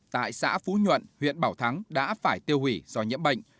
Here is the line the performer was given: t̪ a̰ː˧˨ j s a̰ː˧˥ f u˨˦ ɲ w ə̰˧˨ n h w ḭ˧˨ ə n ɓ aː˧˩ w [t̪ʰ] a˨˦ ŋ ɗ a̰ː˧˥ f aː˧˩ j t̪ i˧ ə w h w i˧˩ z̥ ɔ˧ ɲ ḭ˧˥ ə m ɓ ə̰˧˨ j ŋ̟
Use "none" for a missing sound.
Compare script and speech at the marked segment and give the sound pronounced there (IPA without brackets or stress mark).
t̪ʰ